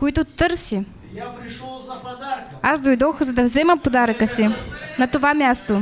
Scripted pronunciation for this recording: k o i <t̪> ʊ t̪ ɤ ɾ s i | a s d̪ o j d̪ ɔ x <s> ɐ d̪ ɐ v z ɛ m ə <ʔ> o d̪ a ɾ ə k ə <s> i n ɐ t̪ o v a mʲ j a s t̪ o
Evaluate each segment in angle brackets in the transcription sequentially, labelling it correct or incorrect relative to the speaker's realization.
correct, incorrect, incorrect, correct

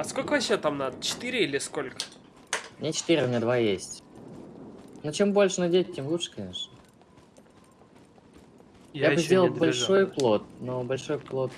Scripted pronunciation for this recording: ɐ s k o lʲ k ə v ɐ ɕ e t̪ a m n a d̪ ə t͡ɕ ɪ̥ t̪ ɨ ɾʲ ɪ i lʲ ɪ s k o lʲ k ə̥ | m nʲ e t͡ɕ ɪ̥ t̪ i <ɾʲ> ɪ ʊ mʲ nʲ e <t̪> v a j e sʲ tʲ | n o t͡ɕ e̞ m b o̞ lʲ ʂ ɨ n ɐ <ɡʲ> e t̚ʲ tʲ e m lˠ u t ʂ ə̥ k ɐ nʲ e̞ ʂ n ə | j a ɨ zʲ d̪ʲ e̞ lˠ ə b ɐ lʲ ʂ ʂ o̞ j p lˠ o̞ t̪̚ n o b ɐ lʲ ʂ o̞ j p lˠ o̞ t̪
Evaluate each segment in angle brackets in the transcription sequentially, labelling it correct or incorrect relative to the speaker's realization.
correct, incorrect, incorrect

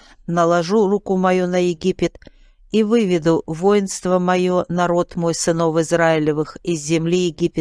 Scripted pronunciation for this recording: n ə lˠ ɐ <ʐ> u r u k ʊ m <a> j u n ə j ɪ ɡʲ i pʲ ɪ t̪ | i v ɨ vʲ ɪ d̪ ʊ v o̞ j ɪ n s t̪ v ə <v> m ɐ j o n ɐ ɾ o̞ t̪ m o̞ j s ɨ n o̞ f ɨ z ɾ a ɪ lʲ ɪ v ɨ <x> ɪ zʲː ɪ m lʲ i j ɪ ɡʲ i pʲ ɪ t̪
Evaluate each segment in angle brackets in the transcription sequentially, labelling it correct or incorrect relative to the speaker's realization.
correct, incorrect, incorrect, correct

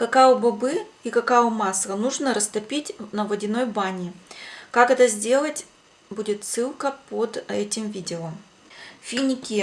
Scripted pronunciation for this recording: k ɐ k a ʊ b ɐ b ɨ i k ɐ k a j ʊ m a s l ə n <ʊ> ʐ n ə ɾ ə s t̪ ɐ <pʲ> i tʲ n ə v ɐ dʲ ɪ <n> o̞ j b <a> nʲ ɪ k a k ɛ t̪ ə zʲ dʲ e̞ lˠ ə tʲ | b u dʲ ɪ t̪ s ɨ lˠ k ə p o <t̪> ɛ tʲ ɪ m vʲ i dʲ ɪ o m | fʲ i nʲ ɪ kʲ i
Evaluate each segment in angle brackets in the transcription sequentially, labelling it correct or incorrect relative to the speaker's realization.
incorrect, correct, correct, correct, incorrect

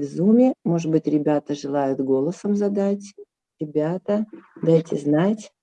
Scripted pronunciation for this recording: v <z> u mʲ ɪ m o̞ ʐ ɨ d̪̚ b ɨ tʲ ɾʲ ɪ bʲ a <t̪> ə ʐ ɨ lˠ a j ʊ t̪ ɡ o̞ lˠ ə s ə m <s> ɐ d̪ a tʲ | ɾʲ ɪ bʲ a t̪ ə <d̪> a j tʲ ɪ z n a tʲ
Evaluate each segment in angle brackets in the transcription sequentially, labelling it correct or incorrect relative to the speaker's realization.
correct, correct, incorrect, correct

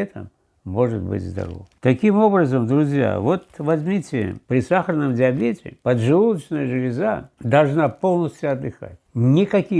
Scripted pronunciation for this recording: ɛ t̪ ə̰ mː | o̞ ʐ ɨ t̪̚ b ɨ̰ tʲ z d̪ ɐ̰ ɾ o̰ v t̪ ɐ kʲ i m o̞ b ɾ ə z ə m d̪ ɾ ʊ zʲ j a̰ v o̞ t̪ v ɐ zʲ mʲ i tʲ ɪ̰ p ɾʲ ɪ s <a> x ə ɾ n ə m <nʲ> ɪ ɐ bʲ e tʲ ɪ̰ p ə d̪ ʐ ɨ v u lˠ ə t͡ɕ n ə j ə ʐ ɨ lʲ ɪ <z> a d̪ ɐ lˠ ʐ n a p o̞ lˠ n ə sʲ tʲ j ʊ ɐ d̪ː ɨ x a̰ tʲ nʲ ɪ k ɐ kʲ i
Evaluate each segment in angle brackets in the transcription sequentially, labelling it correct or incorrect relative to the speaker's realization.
correct, incorrect, correct

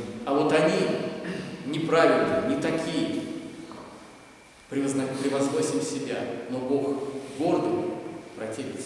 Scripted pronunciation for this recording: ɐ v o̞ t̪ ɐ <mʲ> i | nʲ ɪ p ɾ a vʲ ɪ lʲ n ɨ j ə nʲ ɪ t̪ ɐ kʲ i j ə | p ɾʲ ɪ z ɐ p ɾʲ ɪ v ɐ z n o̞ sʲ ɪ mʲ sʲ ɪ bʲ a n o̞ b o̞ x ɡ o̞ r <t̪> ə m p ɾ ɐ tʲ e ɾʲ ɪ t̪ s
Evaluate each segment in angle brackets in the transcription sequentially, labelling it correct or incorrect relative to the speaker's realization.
incorrect, incorrect

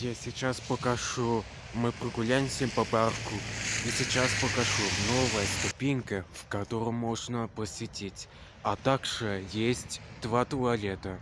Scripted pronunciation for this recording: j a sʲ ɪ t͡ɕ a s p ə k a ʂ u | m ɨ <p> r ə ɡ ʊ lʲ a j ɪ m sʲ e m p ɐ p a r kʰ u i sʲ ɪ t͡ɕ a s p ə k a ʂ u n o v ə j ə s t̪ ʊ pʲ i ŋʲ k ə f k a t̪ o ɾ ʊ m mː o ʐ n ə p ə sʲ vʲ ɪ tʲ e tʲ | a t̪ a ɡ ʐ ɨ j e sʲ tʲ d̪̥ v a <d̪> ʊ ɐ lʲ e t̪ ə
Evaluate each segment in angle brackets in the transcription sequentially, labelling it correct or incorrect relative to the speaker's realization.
correct, incorrect

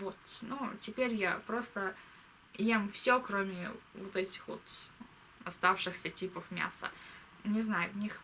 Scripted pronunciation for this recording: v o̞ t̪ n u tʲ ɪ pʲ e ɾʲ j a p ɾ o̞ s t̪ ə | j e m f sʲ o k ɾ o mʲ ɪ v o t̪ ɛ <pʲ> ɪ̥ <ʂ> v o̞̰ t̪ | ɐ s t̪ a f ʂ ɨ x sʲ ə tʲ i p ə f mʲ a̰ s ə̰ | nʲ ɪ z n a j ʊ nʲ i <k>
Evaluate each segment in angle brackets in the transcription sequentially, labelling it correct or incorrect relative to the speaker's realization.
incorrect, incorrect, incorrect

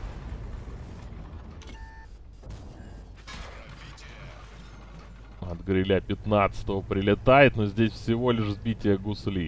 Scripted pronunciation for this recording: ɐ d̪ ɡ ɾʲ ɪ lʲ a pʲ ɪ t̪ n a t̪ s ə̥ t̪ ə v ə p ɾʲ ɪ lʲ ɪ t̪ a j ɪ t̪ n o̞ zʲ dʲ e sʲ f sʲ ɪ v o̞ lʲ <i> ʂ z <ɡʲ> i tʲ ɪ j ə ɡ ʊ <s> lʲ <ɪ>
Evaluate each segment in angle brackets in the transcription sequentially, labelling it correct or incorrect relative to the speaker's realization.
incorrect, incorrect, correct, incorrect

